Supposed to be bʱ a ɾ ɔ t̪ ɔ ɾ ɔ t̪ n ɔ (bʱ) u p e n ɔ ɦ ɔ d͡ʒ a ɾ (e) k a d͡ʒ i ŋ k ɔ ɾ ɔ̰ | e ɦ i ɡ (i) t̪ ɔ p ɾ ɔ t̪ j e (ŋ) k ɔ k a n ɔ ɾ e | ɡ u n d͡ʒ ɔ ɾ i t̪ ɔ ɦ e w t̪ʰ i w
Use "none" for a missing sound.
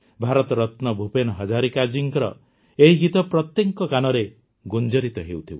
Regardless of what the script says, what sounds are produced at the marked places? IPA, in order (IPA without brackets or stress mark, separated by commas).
bʱ, i, i, ŋ